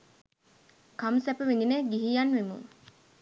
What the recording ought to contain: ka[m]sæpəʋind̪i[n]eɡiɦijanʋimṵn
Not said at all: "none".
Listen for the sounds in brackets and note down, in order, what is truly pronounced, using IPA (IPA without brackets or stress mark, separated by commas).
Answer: m, n